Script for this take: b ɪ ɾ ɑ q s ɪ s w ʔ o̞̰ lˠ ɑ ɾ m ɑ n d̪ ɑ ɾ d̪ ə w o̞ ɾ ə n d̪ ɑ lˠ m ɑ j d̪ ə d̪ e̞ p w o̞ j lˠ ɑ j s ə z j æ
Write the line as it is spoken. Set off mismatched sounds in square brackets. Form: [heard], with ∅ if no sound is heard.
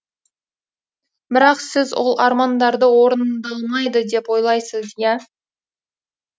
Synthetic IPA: b ɪ ɾ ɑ q s ɪ [z] w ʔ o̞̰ lˠ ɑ ɾ m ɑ n d̪ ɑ ɾ d̪ ə w o̞ ɾ ə n d̪ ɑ lˠ m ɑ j d̪ ə d̪ e̞ p w o̞ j lˠ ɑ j s ə z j æ